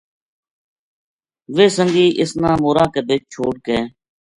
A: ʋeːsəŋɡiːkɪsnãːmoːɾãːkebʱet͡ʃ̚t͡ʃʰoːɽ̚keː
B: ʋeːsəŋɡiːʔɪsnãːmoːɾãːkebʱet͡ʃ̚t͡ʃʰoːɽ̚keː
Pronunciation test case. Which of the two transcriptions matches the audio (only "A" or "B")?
B